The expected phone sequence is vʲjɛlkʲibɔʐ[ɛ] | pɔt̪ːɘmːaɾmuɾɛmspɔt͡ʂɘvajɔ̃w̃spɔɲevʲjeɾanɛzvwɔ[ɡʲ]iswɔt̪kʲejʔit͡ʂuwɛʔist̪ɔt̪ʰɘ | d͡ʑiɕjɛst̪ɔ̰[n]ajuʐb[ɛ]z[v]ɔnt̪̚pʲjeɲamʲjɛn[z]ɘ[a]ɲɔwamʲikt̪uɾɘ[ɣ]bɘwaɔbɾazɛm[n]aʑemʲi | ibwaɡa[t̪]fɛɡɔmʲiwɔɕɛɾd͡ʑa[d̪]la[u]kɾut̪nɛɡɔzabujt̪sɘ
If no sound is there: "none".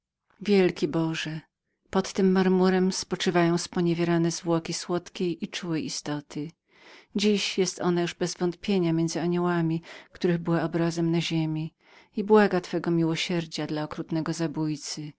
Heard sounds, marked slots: ɛ, kʲ, n, ɛ, v, z, a, ɣ, n, t̪, d̪, ɔ

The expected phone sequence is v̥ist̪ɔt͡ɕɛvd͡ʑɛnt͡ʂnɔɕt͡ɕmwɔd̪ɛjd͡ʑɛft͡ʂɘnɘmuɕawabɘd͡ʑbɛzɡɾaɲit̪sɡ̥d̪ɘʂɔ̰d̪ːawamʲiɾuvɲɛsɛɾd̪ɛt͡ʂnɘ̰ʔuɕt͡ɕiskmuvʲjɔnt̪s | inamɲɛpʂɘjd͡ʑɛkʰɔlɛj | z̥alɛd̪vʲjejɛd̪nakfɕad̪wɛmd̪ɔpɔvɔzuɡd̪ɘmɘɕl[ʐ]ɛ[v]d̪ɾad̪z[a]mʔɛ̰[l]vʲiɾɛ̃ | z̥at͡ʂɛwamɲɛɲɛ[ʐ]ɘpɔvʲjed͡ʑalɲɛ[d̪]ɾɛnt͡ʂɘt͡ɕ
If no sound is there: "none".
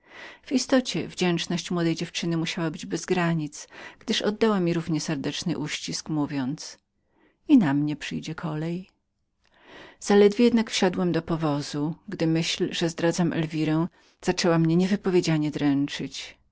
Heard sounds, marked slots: ʐ, z, a, l, v, d̪

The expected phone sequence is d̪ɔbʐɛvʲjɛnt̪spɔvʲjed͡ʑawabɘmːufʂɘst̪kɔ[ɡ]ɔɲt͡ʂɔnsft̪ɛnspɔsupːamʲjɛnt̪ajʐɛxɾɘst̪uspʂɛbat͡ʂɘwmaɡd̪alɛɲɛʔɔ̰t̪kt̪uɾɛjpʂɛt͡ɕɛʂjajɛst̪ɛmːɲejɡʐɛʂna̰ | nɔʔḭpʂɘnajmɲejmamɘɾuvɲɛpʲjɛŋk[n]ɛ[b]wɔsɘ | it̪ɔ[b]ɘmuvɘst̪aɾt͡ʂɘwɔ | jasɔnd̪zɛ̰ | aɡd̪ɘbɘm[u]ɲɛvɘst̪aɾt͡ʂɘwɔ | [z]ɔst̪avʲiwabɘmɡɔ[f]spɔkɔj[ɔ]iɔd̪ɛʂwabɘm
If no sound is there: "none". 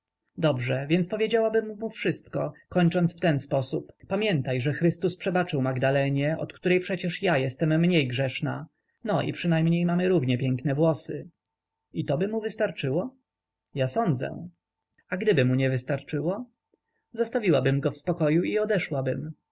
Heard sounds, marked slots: k, n, v, b, u, z, f, u

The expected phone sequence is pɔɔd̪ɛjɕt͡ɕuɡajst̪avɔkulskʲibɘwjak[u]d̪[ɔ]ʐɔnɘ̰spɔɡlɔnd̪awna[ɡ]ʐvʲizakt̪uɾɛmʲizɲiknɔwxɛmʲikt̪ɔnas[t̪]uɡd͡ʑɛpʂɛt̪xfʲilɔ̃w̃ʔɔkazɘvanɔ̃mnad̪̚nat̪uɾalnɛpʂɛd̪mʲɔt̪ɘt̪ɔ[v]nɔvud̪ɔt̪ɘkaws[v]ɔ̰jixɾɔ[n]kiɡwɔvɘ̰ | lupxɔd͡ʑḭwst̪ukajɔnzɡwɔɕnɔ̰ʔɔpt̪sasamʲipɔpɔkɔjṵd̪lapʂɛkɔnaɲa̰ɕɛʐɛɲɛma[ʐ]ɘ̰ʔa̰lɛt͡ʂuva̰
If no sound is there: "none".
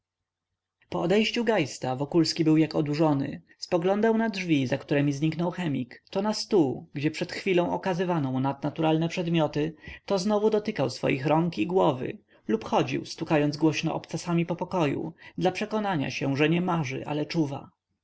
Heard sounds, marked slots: ɔ, u, d, t̪, z, f, ŋ, ʐ

